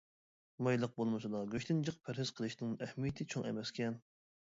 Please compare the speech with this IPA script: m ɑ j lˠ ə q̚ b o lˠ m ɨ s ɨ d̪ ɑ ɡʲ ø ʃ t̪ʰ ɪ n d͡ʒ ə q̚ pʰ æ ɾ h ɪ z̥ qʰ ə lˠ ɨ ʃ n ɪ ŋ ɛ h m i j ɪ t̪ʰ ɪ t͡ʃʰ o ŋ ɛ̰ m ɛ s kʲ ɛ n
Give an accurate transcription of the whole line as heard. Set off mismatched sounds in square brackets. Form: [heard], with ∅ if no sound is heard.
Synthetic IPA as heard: m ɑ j lˠ ə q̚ b o lˠ m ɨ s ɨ d̪ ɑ ɡʲ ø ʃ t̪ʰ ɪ n d͡ʒ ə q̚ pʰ æ ɾ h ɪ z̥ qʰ ə lˠ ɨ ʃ n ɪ ŋ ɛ h m i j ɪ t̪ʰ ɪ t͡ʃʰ o ŋ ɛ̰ m ɛ s kʲ ɛ n